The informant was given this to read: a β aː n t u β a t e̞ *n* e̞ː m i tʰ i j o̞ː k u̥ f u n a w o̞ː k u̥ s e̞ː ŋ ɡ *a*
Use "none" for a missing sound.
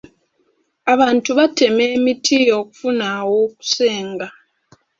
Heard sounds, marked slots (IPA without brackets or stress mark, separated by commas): m, a